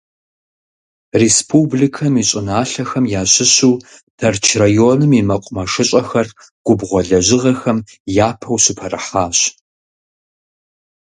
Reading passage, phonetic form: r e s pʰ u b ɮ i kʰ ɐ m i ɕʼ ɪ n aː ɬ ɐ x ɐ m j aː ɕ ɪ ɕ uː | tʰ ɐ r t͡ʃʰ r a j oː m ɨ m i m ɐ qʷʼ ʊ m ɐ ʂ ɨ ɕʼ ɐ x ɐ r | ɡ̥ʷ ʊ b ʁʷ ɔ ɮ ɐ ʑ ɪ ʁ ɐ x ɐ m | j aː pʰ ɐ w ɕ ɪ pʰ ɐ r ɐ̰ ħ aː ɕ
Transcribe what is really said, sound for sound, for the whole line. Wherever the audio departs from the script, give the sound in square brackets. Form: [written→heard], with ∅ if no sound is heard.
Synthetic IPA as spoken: r e s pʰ u b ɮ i kʰ ɐ m i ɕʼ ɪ n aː ɬ ɐ x ɐ m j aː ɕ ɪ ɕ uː | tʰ ɐ r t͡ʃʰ r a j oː [m→n] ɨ m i m ɐ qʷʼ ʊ m ɐ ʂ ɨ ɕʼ ɐ x ɐ r | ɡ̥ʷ ʊ b ʁʷ ɔ ɮ ɐ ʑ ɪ ʁ ɐ x ɐ m | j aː pʰ ɐ w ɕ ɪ pʰ ɐ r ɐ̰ ħ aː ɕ